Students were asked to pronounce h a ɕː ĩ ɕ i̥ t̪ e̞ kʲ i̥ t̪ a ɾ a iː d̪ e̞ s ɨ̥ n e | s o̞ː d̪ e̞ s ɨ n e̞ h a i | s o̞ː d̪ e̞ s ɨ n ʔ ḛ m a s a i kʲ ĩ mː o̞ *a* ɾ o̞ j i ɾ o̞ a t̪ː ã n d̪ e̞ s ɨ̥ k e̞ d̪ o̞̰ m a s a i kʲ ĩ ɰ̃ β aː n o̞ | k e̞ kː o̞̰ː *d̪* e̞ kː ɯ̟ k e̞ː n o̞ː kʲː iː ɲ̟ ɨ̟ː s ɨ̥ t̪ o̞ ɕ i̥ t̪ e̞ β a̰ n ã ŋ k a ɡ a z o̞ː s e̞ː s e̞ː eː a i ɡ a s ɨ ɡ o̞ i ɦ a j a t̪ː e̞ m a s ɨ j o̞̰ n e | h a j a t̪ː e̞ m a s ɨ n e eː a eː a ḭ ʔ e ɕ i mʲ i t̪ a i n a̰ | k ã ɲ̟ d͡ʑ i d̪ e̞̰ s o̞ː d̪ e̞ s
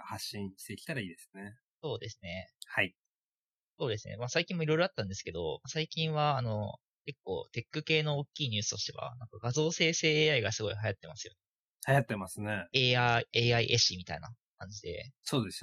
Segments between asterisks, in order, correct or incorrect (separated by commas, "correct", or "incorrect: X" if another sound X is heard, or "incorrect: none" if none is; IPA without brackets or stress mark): incorrect: i, incorrect: t̪